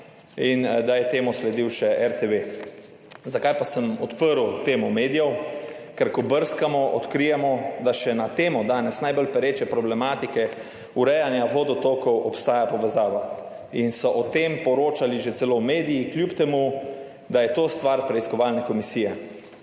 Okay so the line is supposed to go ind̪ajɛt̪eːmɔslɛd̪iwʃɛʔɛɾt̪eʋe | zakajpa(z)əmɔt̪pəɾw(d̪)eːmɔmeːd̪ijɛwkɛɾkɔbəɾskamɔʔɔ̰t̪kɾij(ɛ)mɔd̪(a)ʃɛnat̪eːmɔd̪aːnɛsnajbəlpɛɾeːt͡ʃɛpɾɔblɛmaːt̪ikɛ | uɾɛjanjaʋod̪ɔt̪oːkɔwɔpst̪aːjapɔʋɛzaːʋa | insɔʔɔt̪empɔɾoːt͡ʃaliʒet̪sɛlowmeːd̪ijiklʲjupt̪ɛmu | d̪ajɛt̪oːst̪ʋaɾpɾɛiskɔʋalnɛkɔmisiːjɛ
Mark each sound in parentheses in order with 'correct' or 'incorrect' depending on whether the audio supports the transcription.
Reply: incorrect, incorrect, correct, correct

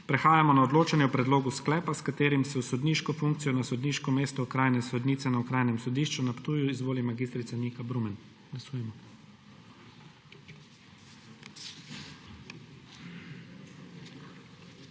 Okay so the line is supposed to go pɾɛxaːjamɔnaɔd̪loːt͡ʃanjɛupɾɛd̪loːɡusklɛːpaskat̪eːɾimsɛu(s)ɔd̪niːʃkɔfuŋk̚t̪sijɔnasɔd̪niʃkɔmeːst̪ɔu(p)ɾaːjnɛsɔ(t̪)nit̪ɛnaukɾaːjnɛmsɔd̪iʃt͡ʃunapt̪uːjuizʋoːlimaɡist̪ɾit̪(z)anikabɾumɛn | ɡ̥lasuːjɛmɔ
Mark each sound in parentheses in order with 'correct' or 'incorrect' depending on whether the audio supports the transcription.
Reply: correct, incorrect, incorrect, incorrect

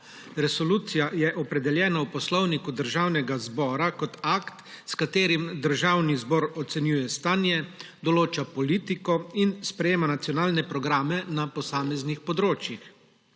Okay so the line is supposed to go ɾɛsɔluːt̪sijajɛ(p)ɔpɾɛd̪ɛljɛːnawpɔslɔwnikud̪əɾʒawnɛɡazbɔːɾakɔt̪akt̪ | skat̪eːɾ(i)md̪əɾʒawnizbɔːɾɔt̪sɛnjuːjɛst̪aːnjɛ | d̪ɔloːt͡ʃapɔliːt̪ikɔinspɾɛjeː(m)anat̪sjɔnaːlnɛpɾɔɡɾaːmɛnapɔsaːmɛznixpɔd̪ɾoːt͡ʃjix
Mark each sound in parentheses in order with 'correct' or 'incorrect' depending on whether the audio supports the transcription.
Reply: incorrect, correct, correct

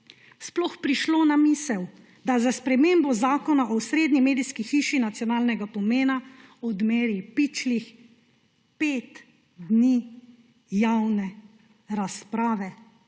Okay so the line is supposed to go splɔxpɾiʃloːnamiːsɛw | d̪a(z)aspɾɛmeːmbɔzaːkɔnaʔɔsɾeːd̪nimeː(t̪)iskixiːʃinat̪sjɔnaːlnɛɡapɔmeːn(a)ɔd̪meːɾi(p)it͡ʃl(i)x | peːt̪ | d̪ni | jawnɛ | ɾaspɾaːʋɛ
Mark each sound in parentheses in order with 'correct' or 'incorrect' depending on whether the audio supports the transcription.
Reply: correct, incorrect, correct, correct, correct

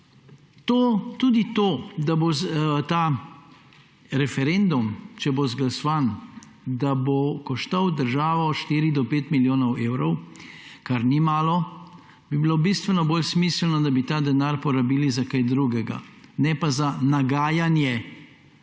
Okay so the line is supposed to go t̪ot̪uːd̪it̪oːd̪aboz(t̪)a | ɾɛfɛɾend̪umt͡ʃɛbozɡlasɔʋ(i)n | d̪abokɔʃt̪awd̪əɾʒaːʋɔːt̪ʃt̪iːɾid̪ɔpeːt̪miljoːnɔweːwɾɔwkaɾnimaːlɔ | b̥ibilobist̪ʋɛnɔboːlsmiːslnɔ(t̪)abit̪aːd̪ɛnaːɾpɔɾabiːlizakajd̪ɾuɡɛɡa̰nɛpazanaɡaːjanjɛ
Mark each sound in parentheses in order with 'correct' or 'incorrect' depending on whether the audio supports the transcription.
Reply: correct, incorrect, incorrect

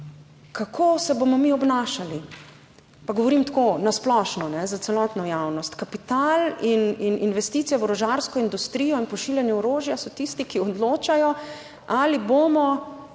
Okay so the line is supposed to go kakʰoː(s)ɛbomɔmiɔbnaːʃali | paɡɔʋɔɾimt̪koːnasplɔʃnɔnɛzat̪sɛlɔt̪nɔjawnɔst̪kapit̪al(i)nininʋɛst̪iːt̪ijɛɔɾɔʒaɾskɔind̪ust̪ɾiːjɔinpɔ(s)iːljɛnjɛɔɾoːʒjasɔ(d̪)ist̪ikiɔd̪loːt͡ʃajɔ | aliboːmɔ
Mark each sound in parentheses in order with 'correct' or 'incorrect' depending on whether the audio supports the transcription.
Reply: correct, correct, incorrect, incorrect

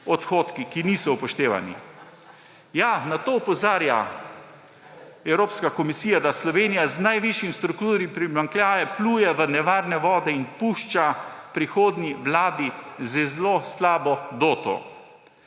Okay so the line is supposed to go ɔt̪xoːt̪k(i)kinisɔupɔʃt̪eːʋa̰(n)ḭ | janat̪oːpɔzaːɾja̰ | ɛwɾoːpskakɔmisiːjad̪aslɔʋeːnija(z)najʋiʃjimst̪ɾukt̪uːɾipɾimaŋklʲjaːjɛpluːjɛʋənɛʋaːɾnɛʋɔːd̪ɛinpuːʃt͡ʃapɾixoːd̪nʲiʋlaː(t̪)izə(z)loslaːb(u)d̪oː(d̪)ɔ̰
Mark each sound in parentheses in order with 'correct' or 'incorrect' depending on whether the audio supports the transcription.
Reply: correct, correct, correct, incorrect, correct, incorrect, incorrect

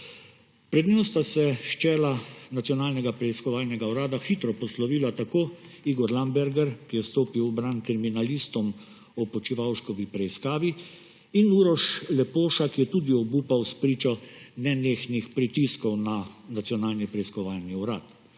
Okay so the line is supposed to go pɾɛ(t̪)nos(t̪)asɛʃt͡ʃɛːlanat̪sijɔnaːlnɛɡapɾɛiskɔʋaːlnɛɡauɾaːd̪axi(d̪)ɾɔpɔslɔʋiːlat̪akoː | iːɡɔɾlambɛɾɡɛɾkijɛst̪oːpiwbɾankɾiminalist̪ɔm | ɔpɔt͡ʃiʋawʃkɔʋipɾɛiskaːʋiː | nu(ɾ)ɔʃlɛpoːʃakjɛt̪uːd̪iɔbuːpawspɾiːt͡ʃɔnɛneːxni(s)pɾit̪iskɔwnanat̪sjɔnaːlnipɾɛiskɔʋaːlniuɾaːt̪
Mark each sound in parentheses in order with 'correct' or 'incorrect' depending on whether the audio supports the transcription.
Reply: incorrect, correct, incorrect, correct, incorrect

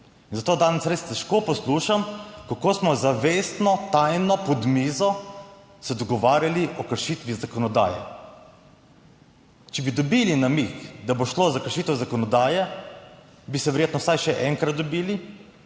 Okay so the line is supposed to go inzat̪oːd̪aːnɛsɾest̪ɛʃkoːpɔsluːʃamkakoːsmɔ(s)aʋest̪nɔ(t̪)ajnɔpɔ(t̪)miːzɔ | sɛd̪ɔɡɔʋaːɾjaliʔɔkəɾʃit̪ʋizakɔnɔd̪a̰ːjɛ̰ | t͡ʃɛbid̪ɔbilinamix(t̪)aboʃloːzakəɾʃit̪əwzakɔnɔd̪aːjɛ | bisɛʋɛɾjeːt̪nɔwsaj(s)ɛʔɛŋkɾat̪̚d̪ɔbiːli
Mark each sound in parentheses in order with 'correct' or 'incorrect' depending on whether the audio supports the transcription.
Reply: incorrect, correct, incorrect, incorrect, incorrect

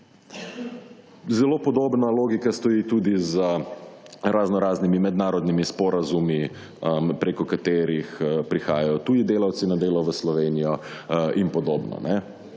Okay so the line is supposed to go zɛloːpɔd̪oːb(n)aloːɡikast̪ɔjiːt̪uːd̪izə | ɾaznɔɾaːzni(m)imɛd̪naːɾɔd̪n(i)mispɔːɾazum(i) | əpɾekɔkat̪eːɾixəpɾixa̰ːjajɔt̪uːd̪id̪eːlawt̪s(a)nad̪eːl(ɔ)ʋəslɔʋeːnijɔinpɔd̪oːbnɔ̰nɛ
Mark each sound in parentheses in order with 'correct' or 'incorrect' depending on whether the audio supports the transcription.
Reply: correct, correct, correct, correct, incorrect, correct

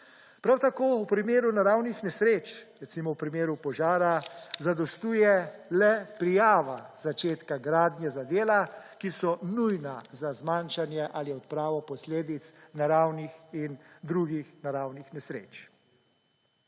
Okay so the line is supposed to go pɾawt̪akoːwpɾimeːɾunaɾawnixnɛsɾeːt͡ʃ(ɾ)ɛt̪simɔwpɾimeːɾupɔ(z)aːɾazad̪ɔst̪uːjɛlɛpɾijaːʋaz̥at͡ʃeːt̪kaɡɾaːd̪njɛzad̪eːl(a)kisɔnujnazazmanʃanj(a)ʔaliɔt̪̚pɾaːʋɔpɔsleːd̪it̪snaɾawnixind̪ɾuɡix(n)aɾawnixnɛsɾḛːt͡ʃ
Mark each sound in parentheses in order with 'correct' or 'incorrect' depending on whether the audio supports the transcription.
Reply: correct, incorrect, correct, incorrect, correct

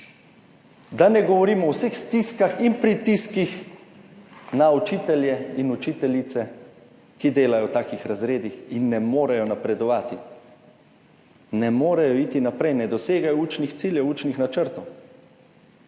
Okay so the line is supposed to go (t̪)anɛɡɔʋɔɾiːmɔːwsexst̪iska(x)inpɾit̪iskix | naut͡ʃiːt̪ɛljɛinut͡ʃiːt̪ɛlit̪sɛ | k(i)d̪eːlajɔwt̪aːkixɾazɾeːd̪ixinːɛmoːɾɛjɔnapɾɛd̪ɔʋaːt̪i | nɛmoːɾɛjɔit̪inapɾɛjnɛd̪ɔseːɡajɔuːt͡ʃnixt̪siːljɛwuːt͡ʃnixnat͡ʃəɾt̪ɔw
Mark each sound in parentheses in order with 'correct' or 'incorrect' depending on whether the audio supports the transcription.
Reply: incorrect, correct, correct

